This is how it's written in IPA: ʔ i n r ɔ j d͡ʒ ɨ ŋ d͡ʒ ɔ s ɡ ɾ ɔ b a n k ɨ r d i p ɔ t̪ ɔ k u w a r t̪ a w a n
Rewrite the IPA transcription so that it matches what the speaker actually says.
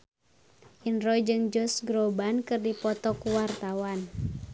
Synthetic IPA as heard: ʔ i n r ɔ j d͡ʒ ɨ ŋ d͡ʒ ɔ s ɡ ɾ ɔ b a n k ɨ r d i p ɔ t̪ ɔ k u w a r t̪ a w a n